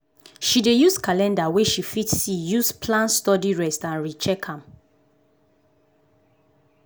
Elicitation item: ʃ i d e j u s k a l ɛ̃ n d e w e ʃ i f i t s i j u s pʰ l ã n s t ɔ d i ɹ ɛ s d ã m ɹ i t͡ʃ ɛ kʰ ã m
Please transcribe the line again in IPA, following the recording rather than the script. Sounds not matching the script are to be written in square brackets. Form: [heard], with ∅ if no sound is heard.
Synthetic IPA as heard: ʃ i d e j u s k a l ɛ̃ n d [a] w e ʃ i f i t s i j u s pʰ l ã n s t ɔ d i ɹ ɛ s [t] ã [n] ɹ i t͡ʃ ɛ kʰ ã m